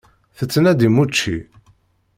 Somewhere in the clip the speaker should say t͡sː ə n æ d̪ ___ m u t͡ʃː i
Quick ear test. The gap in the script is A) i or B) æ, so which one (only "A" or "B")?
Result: A